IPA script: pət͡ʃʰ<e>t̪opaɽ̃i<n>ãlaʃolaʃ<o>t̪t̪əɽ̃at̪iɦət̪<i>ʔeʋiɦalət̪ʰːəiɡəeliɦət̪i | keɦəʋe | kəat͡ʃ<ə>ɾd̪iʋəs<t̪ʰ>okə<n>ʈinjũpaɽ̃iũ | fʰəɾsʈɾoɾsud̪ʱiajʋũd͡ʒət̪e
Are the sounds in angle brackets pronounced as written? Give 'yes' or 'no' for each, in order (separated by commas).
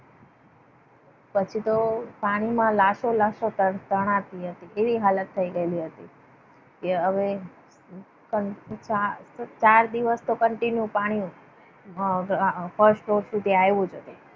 no, no, yes, yes, no, no, no